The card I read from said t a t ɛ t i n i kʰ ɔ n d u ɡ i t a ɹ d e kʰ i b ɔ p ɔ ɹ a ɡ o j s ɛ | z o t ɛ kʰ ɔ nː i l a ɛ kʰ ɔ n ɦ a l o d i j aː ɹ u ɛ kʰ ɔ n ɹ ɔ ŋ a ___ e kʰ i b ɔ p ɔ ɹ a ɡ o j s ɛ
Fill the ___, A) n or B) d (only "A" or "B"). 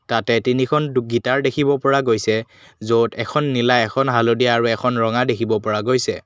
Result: B